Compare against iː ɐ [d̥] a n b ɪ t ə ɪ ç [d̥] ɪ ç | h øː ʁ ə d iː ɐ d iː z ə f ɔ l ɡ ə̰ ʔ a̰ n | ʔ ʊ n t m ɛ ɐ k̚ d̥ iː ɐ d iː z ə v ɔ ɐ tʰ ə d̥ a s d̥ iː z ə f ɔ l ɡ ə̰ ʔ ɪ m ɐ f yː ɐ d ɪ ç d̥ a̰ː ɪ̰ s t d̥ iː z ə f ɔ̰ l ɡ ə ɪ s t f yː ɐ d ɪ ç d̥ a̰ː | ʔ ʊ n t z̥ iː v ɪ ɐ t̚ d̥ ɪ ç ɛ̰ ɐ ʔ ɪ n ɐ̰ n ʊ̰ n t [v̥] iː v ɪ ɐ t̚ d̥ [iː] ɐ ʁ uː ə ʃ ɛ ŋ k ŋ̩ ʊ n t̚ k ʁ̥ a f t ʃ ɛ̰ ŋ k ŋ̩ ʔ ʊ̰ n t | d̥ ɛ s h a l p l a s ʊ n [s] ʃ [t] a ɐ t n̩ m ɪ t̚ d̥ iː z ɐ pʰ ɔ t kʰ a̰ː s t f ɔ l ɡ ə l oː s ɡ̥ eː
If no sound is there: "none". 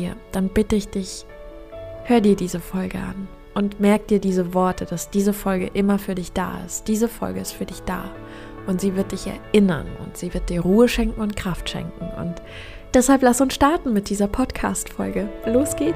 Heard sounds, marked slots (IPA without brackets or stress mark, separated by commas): d̥, d̥, z̥, iː, s, t